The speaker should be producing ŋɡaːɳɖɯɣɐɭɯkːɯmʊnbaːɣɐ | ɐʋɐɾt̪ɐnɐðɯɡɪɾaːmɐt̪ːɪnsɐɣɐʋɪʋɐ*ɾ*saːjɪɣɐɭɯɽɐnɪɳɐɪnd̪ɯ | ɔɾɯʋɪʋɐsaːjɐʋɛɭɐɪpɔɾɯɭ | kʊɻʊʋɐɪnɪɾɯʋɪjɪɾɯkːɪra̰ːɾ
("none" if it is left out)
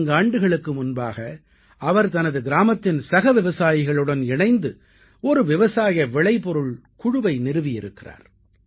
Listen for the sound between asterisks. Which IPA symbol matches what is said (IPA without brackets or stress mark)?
none